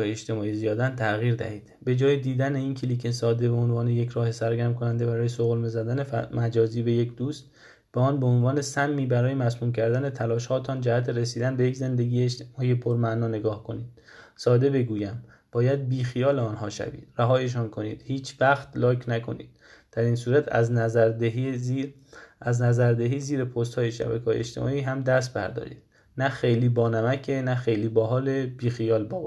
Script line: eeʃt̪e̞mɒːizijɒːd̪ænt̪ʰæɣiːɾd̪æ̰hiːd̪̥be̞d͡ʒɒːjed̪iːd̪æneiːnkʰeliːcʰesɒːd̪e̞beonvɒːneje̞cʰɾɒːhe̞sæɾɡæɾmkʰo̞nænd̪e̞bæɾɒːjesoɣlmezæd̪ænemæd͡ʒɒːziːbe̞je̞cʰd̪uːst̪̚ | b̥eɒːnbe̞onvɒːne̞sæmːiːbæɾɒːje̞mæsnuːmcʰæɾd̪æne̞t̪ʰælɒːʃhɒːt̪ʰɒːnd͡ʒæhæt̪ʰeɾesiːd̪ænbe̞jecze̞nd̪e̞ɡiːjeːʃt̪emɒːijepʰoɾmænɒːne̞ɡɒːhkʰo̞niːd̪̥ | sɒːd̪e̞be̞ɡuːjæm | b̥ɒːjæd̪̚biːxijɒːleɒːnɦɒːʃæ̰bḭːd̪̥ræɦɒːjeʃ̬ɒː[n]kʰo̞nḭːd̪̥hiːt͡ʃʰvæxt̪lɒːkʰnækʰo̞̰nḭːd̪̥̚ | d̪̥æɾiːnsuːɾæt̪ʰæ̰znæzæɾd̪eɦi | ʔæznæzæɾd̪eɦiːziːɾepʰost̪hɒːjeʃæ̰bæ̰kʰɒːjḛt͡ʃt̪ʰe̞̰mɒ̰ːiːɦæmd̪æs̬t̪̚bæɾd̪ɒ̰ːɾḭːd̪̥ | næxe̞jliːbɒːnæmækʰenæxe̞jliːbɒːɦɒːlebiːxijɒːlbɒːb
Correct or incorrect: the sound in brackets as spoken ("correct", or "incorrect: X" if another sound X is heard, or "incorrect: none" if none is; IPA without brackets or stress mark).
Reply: correct